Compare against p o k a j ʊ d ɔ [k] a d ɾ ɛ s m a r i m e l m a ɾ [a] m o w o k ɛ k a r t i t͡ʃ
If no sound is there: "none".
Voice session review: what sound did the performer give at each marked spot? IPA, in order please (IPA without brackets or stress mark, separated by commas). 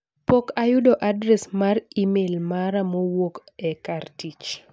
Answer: ʔ, a